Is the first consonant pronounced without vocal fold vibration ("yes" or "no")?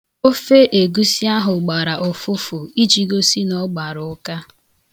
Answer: yes